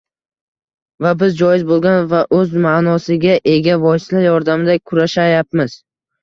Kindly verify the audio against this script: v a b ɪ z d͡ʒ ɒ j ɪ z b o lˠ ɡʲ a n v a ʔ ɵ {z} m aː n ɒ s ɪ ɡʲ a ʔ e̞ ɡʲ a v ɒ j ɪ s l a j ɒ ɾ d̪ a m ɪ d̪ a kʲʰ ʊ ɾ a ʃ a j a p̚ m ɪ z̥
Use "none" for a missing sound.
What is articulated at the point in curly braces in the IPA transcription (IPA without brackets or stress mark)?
z